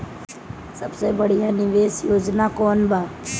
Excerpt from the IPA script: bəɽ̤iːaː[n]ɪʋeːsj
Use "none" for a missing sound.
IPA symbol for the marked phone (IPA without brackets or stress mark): n